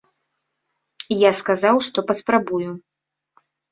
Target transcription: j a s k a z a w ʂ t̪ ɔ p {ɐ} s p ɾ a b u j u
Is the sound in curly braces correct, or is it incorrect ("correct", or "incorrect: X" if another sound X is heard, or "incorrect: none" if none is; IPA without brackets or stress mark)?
correct